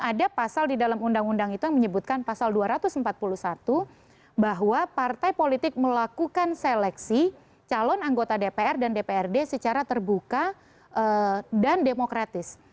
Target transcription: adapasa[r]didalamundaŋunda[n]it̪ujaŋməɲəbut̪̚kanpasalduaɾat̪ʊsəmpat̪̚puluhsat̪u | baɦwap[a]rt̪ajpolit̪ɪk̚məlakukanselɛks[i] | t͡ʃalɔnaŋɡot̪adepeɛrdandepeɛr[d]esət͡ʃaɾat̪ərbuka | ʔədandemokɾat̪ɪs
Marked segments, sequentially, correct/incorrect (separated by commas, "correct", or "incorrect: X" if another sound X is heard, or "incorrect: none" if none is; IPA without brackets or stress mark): incorrect: l, incorrect: ŋ, correct, correct, correct